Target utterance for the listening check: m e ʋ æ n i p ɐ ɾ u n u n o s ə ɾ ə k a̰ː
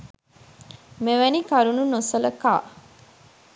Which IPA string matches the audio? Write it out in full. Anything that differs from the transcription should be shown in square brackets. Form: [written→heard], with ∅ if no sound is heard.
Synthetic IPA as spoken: m e ʋ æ n i [p→k] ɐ ɾ u n u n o s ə [ɾ→l] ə k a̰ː

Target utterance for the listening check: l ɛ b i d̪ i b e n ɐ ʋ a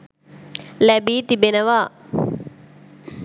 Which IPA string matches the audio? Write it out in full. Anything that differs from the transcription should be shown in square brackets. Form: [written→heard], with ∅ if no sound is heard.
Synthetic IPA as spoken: l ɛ b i [d̪→t̪] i b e n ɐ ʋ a

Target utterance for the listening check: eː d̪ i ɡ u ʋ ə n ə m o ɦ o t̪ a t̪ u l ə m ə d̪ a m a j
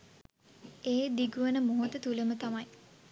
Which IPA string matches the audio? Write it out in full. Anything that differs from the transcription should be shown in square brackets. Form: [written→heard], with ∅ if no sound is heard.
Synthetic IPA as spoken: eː d̪ i ɡ u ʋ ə n ə m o ɦ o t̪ [a→ə] t̪ u l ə m ə [d̪→t̪] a m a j

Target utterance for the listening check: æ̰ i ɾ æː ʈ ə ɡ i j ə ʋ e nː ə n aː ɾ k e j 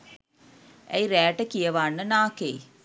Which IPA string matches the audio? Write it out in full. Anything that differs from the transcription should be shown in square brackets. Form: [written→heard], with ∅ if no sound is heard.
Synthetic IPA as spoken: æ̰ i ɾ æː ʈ ə [ɡ→k] i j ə ʋ [e→a] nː ə n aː [ɾ→∅] k e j

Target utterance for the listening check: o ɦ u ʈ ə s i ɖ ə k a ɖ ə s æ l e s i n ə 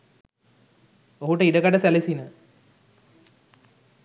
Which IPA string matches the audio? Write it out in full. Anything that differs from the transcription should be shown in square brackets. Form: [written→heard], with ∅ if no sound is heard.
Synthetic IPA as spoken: o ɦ u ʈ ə [s→∅] i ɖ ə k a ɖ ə s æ l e s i n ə

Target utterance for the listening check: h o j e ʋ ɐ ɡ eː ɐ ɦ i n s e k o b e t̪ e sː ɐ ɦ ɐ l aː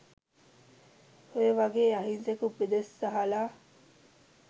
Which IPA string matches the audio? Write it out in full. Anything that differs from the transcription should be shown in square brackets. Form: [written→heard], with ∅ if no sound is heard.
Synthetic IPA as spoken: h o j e ʋ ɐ ɡ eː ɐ ɦ i n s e k [o→u] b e [t̪→d̪] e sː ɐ ɦ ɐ l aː

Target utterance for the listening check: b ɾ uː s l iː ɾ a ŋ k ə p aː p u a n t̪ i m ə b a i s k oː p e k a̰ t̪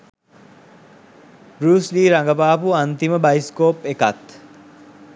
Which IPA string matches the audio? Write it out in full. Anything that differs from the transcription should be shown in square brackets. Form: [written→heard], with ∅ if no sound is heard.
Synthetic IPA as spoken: b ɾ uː s l iː ɾ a ŋ [k→ɡ] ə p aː p u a n t̪ i m ə b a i s k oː p e k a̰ t̪

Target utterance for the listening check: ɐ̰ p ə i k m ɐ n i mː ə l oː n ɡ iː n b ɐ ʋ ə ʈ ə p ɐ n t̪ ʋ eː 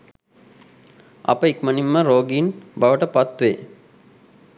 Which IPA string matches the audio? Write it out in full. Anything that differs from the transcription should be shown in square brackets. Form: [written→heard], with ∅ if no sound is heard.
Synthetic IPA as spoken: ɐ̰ p ə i k m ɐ n i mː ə [l→ɾ] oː [n→∅] ɡ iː n b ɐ ʋ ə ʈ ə p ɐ [n→∅] t̪ ʋ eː

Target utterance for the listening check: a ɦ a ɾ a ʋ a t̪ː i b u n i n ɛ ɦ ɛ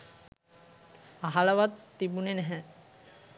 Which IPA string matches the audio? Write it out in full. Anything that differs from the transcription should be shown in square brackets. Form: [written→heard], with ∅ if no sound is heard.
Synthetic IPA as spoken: a ɦ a [ɾ→l] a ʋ a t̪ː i b u n [i→e] n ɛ ɦ ɛ

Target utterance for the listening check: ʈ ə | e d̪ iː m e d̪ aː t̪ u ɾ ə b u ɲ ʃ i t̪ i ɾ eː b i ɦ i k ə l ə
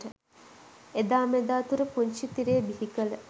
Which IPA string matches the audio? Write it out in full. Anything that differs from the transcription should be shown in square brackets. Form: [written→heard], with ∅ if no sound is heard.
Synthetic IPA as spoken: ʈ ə | e d̪ [iː→aː] m e d̪ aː t̪ u ɾ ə [b→p] u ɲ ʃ i t̪ i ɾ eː b i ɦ i k ə l ə

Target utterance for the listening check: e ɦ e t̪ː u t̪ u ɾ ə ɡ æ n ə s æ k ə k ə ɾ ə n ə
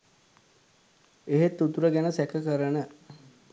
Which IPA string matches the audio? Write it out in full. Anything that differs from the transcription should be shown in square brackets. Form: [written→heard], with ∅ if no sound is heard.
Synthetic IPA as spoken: e ɦ e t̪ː u t̪ u ɾ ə ɡ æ n ə s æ k ə k ə ɾ ə n ə

